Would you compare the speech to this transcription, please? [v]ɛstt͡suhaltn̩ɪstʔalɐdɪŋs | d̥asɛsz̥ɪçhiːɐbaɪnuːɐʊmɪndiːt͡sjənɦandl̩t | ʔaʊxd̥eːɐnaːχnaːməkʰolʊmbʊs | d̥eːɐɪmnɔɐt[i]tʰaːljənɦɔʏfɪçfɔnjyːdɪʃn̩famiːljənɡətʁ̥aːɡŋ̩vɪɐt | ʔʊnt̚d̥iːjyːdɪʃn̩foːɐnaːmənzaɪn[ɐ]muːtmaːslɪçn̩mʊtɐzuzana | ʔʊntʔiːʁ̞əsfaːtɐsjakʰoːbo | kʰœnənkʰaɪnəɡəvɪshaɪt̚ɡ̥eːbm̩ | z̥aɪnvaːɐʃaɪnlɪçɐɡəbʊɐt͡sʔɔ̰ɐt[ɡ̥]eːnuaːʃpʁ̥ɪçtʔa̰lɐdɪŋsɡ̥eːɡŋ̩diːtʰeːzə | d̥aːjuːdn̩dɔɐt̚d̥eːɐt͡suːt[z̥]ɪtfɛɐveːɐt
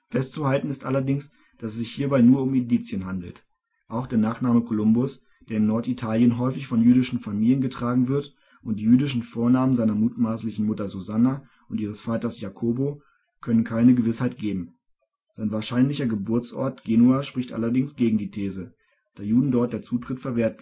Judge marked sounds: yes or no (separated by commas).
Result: no, yes, yes, yes, no